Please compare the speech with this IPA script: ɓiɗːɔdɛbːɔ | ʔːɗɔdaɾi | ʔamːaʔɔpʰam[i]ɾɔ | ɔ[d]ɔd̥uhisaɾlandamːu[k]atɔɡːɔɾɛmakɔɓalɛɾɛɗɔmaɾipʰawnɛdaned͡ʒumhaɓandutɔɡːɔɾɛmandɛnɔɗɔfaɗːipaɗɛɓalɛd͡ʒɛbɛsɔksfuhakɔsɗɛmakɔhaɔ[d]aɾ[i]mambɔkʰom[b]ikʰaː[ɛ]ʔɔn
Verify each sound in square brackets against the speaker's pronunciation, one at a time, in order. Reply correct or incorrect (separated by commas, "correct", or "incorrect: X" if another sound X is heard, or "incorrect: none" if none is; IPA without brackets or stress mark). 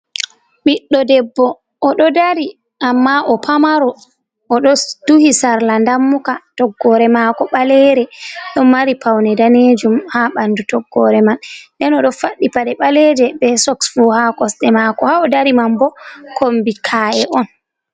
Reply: incorrect: a, incorrect: ɗ, correct, correct, correct, correct, correct